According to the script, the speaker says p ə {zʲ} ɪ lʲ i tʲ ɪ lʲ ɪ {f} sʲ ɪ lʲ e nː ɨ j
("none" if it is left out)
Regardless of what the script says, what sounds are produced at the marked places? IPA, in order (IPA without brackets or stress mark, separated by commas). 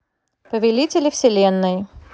vʲ, f